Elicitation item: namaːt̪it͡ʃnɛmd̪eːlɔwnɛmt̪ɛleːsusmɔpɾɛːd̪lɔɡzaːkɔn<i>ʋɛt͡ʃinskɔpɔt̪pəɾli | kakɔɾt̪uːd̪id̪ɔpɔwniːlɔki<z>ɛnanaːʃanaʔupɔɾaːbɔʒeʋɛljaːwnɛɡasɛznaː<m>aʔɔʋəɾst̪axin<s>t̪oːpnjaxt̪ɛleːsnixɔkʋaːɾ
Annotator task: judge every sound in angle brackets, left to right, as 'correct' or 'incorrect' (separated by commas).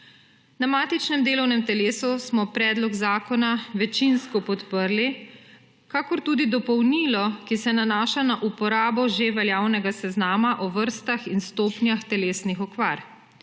incorrect, incorrect, correct, correct